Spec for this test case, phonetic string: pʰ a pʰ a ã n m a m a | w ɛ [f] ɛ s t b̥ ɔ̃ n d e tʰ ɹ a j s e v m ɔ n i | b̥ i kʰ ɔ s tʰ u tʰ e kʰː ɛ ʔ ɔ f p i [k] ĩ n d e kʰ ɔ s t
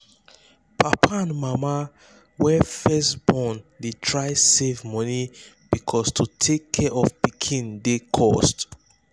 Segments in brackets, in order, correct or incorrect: correct, incorrect: kʰ

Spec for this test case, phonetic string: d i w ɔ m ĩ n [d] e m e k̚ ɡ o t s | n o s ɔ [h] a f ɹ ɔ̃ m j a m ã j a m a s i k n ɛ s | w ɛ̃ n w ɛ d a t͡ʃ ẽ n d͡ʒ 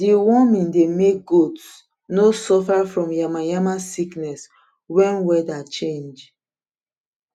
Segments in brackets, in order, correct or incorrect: correct, incorrect: f

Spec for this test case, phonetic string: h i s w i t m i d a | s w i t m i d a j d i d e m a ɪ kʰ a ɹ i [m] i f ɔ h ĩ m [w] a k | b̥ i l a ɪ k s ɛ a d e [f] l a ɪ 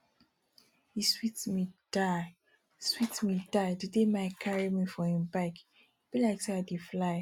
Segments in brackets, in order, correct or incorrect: correct, incorrect: b, correct

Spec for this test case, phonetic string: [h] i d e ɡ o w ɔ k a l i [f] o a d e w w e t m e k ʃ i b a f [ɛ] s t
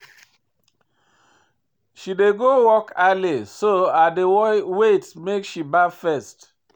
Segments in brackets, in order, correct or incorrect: incorrect: ʃ, incorrect: s, correct

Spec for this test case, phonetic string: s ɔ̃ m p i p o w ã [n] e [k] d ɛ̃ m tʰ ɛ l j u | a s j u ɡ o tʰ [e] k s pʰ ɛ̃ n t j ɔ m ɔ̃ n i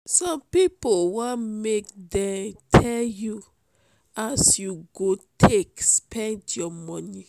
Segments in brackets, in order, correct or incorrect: incorrect: m, correct, correct

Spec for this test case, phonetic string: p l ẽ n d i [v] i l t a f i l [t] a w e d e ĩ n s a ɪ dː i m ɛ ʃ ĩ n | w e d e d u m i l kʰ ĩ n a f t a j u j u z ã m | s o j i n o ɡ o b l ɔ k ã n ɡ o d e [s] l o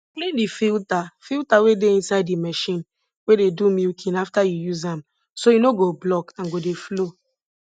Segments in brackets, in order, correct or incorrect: incorrect: f, correct, incorrect: f

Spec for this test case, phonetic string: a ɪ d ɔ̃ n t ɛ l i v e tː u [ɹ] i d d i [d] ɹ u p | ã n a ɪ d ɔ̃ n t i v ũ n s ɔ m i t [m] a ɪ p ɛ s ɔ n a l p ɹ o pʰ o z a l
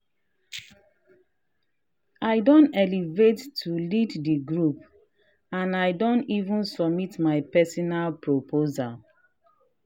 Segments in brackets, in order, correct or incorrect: incorrect: l, incorrect: ɡ, correct

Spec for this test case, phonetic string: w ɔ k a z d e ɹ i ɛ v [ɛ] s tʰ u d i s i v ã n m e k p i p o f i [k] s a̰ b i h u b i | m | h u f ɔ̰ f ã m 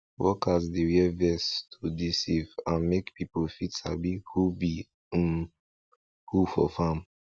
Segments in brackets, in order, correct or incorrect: correct, incorrect: t

